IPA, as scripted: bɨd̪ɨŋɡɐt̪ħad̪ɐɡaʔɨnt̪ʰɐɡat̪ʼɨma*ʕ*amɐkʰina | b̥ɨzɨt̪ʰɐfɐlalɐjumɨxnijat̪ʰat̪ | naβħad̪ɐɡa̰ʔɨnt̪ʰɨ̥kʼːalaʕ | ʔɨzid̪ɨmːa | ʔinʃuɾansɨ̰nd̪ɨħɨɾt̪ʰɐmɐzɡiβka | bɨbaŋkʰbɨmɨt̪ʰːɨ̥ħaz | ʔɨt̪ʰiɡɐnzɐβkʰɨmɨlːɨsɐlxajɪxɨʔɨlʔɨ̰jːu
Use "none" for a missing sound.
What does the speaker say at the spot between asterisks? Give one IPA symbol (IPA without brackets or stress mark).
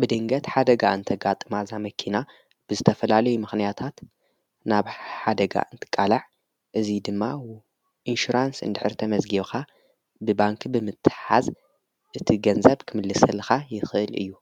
z